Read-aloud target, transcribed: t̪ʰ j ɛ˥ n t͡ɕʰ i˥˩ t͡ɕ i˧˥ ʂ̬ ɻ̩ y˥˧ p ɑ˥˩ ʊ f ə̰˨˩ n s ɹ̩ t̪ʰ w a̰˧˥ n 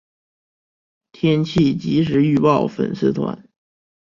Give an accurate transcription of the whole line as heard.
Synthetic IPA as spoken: t̪ʰ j ɛ˥ n t͡ɕʰ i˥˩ t͡ɕ i˧˥ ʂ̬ ɻ̩ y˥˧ p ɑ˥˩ ʊ f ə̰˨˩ n s ɹ̩ t̪ʰ w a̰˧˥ n